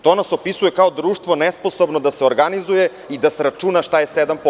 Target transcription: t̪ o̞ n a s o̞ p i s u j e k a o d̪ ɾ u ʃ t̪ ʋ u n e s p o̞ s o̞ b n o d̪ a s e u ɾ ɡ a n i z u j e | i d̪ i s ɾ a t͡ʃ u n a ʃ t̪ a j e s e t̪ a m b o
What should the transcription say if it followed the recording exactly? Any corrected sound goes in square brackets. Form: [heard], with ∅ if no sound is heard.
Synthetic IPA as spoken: t̪ o̞ n a s o̞ p i s u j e k a o d̪ ɾ [uː] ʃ t̪ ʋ [o] n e s p o̞ s o̞ b n o d̪ a s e [o] ɾ ɡ a n i z u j e | i d̪ [a] s ɾ a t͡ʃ u n a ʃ t̪ a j e s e [d̪] a m [p] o